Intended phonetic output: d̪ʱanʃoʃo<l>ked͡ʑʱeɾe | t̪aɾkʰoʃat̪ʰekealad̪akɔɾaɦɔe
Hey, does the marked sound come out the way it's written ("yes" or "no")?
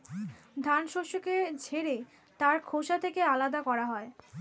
no